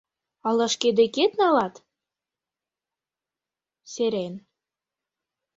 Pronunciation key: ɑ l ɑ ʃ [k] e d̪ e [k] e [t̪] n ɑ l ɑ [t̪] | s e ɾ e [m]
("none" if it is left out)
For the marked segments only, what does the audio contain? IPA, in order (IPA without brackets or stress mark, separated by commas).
k, k, t̪, t̪, n